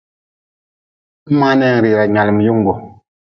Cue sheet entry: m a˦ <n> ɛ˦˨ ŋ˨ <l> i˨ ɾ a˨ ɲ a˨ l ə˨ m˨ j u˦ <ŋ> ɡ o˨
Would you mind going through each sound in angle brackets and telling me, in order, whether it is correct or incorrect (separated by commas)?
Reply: correct, incorrect, correct